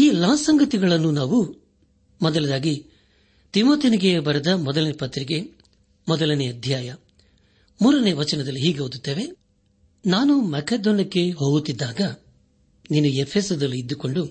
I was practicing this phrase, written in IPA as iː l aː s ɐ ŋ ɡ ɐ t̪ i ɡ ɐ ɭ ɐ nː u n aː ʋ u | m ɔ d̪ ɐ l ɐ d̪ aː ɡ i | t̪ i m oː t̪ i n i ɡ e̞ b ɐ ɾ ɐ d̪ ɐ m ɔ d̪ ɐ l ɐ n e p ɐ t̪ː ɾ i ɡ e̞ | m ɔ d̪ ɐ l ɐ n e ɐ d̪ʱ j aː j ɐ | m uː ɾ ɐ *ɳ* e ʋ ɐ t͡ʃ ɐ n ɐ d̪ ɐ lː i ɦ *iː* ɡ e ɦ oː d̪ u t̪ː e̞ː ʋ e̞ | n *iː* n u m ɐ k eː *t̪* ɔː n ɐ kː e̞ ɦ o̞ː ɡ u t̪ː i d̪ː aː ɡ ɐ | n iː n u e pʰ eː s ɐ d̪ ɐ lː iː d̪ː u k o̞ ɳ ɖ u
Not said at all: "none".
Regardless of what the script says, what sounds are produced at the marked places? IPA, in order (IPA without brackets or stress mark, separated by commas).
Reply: n, iː, aː, d̪